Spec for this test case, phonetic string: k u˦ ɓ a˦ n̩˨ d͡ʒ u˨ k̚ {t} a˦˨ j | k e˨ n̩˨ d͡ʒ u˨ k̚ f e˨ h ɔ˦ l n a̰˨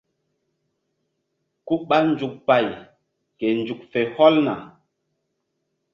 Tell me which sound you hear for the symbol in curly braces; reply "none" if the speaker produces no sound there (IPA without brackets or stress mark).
p